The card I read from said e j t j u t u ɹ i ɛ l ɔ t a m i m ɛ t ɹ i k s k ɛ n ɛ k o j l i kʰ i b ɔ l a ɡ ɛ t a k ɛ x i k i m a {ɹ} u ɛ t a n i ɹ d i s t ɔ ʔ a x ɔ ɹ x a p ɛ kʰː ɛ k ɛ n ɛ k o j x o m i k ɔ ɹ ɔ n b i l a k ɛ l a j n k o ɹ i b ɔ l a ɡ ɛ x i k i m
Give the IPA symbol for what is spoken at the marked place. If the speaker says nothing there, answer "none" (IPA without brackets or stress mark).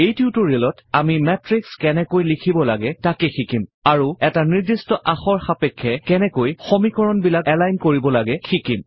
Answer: ɹ